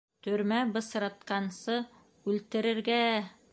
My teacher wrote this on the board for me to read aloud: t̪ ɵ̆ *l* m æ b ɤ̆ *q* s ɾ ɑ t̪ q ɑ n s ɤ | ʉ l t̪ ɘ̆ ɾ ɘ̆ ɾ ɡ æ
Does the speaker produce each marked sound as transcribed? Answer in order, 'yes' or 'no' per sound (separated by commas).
no, no